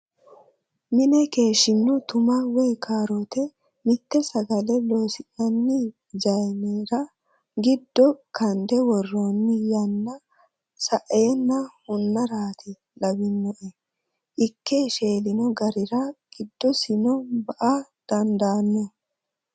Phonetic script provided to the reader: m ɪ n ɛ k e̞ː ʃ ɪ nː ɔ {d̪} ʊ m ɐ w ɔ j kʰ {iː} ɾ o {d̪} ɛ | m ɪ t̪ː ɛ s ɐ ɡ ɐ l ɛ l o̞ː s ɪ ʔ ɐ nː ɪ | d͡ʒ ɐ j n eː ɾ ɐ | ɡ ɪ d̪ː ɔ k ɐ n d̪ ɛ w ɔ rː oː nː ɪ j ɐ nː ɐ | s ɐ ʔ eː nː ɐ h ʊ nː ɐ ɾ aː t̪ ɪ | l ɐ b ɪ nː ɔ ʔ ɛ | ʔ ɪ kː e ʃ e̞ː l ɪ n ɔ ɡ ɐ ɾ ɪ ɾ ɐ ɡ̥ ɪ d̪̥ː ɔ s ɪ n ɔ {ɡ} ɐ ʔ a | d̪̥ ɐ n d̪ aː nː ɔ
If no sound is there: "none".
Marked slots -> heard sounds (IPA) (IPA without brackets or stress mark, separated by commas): t̪, aː, t̪, b